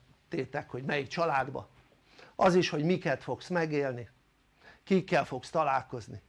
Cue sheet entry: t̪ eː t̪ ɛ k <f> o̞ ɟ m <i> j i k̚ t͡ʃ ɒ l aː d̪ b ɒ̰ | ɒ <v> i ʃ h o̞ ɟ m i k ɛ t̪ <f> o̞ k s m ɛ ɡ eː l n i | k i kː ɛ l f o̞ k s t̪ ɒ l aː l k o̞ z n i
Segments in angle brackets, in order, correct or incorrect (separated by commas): incorrect, incorrect, incorrect, correct